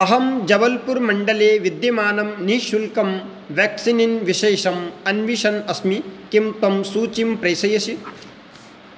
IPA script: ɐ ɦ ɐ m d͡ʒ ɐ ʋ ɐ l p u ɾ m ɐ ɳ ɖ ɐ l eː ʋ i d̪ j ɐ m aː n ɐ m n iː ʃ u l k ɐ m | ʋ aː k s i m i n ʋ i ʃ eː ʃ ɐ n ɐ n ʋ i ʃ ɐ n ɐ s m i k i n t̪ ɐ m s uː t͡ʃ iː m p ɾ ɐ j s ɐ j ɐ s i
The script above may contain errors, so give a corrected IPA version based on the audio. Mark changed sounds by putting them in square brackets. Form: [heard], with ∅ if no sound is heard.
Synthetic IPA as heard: ɐ ɦ ɐ m d͡ʒ ɐ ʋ ɐ l p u ɾ m ɐ ɳ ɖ ɐ l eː ʋ i d̪ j ɐ m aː n ɐ m n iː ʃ u l k ɐ m | ʋ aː k s i [n] i n ʋ i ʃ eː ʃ ɐ [m] ɐ n ʋ i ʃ ɐ n ɐ s m i k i [m] t̪ ɐ m s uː t͡ʃ [i] m p ɾ ɐ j s ɐ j ɐ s i

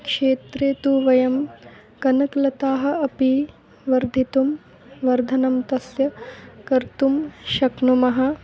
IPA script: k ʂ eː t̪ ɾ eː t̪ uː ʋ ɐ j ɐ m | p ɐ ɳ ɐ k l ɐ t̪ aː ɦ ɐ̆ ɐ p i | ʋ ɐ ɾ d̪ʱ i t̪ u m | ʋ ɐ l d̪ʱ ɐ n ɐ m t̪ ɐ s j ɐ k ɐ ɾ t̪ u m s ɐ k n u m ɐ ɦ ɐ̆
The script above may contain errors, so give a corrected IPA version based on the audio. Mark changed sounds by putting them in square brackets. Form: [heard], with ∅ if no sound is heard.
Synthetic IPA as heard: k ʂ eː t̪ ɾ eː t̪ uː ʋ ɐ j ɐ m | [k] ɐ [n] ɐ k l ɐ t̪ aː ɦ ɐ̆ ɐ p i | ʋ ɐ ɾ d̪ʱ i t̪ u m | ʋ ɐ [ɾ] d̪ʱ ɐ n ɐ m t̪ ɐ s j ɐ k ɐ ɾ t̪ u m [ʃ] ɐ k n u m ɐ ɦ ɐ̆

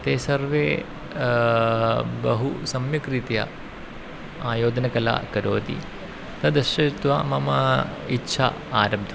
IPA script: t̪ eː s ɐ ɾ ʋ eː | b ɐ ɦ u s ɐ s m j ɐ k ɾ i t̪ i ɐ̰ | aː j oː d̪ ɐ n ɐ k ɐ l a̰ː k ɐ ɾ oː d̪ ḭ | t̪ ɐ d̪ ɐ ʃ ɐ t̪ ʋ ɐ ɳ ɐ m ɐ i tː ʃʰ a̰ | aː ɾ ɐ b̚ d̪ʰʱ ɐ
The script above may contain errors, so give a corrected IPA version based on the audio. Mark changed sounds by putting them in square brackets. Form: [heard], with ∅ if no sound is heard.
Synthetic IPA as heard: t̪ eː s ɐ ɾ ʋ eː | b ɐ ɦ u s ɐ [∅] m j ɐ k ɾ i t̪ [j] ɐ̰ | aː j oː d̪ ɐ n ɐ k ɐ l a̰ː k ɐ ɾ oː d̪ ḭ | t̪ ɐ d̪ ɐ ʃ ɐ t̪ ʋ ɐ [m] ɐ m ɐ i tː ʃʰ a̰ | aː ɾ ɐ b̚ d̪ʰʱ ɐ

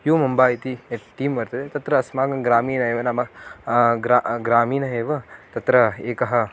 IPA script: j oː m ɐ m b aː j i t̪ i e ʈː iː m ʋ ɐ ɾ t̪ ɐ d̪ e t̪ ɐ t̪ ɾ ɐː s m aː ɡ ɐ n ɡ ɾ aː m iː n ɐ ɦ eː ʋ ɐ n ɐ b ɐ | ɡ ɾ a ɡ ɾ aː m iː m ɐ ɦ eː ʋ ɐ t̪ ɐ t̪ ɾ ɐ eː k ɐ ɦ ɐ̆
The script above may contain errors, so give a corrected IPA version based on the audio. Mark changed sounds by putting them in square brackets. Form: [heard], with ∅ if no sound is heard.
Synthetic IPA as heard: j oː m ɐ m b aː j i t̪ i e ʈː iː m ʋ ɐ ɾ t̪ ɐ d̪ e t̪ ɐ t̪ ɾ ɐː s m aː ɡ ɐ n ɡ ɾ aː m iː n ɐ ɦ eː ʋ ɐ n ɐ [m] ɐ | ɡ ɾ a ɡ ɾ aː m iː [n] ɐ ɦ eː ʋ ɐ t̪ ɐ t̪ ɾ ɐ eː k ɐ ɦ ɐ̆

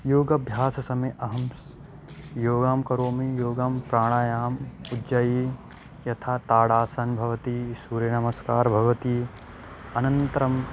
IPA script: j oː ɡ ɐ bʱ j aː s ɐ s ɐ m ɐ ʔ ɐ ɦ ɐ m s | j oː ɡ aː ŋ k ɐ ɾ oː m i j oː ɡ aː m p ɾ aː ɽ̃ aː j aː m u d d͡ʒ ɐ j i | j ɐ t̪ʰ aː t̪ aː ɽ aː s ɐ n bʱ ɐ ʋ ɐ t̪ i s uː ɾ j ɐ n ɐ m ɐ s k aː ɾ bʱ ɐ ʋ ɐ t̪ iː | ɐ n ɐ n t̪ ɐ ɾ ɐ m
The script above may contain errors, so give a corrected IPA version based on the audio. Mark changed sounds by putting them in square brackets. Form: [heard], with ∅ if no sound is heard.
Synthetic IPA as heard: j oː ɡ ɐ bʱ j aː s ɐ s ɐ m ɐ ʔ ɐ ɦ ɐ m s | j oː ɡ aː [m] k ɐ ɾ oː m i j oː ɡ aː m p ɾ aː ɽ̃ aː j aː m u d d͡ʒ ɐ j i | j ɐ t̪ʰ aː t̪ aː ɽ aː s ɐ n bʱ ɐ ʋ ɐ t̪ i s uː ɾ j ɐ n ɐ m ɐ s k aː ɾ bʱ ɐ ʋ ɐ t̪ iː | ɐ n ɐ n t̪ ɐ ɾ ɐ m

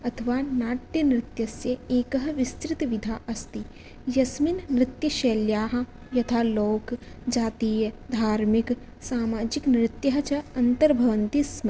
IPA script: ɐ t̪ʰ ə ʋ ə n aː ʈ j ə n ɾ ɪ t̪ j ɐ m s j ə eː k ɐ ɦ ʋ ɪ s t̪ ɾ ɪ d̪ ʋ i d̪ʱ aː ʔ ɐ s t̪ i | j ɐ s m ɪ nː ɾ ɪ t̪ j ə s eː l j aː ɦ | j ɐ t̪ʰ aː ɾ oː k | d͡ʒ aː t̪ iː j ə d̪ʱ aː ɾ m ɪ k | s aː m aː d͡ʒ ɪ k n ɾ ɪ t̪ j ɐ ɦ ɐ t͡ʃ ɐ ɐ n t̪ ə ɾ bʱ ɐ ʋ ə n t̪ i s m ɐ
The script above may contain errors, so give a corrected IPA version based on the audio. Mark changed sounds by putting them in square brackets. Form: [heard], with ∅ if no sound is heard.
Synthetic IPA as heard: ɐ t̪ʰ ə ʋ [a] n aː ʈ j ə n ɾ ɪ t̪ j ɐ [∅] s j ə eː k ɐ ɦ ʋ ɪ s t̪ ɾ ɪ [t̪] ʋ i d̪ʱ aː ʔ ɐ s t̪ i | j ɐ s m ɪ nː ɾ ɪ t̪ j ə [ʃ] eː l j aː ɦ | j ɐ t̪ʰ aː [l] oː k | d͡ʒ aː t̪ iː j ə d̪ʱ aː ɾ m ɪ k | s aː m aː d͡ʒ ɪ k n ɾ ɪ t̪ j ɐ ɦ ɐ t͡ʃ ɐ ɐ n t̪ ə ɾ bʱ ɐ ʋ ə n t̪ i s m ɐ

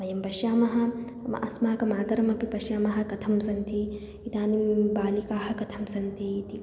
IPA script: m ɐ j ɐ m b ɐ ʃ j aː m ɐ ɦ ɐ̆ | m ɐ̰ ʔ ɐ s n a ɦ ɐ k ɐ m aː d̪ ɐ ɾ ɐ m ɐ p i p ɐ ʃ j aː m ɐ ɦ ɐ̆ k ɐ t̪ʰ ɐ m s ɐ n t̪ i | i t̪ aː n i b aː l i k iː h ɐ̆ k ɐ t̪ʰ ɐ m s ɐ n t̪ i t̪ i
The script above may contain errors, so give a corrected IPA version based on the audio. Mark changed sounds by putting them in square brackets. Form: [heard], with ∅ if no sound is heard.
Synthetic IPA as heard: m ɐ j ɐ m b ɐ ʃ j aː m ɐ ɦ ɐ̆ | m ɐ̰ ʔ ɐ s [m] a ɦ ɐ k ɐ m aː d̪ ɐ ɾ ɐ m ɐ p i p ɐ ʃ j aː m ɐ ɦ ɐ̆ k ɐ t̪ʰ ɐ m s ɐ n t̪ i | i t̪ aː n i b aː l i k [aː] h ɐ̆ k ɐ t̪ʰ ɐ m s ɐ n t̪ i t̪ i

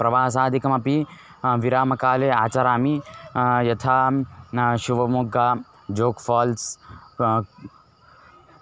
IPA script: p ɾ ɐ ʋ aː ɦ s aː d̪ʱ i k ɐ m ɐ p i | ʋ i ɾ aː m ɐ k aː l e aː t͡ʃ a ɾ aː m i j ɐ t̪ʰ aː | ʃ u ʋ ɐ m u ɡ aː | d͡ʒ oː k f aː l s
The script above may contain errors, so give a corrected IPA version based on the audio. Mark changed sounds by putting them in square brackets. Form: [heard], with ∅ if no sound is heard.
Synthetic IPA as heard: p ɾ ɐ ʋ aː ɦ s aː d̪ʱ i k ɐ m ɐ p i | ʋ i ɾ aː m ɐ k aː l e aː t͡ʃ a ɾ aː m i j ɐ t̪ʰ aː | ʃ u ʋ ɐ m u ɡ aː | d͡ʒ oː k f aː l s

